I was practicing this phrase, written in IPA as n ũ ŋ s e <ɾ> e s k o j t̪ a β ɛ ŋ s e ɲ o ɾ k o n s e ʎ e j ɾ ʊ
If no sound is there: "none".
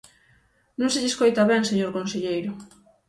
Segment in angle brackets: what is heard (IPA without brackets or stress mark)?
ʎ